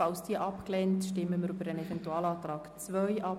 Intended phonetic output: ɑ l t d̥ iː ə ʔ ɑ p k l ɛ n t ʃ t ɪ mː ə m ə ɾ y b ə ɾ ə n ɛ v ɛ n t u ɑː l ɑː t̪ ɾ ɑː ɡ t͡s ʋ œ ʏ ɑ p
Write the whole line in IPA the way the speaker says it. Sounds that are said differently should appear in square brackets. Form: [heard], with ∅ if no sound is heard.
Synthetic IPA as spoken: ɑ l [s] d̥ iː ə ʔ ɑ p k l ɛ n t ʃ t ɪ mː ə m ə ɾ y b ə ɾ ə n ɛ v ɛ n t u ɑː l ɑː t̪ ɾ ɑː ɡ t͡s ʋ œ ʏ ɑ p